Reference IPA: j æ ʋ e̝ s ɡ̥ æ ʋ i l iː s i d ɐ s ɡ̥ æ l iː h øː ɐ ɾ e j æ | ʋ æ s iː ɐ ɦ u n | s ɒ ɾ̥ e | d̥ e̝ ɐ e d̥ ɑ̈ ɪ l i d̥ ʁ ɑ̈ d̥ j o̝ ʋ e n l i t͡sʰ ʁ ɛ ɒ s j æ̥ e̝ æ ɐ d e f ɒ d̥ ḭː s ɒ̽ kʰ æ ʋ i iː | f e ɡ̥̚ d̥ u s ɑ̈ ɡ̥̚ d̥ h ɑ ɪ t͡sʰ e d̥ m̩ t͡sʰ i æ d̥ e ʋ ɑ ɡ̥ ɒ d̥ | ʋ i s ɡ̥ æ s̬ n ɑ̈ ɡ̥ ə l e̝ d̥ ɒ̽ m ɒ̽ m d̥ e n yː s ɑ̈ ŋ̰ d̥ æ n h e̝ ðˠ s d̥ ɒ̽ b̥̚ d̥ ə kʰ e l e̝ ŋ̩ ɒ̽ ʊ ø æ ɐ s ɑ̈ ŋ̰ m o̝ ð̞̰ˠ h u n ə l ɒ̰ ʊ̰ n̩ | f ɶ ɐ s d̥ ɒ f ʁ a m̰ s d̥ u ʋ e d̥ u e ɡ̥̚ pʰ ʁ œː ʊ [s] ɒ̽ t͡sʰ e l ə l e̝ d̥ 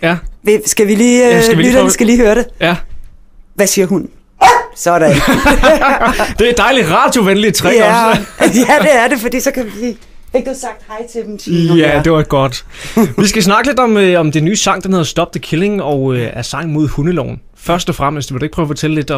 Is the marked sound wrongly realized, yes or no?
yes